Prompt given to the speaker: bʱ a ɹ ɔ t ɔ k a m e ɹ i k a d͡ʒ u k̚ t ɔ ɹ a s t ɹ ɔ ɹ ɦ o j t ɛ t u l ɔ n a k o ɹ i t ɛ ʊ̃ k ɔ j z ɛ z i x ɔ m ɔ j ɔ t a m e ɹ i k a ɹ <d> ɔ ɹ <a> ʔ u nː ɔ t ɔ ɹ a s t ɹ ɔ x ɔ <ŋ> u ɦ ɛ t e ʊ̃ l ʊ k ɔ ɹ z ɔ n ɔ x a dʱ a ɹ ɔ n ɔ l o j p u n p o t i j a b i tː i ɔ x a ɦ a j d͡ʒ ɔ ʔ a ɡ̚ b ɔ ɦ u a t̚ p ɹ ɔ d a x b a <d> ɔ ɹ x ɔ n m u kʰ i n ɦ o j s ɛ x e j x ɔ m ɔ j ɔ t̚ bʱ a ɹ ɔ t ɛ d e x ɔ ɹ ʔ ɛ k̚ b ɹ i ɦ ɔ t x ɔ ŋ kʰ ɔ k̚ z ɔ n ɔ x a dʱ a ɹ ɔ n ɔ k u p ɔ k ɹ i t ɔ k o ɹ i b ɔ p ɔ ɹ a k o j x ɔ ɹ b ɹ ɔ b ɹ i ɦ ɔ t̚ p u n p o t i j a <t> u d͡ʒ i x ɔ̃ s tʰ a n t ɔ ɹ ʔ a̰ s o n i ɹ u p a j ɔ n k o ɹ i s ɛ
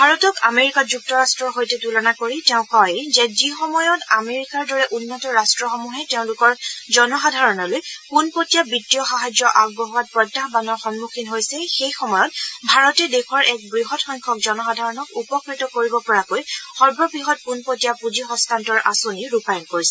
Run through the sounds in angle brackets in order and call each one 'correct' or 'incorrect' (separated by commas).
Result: correct, incorrect, incorrect, incorrect, incorrect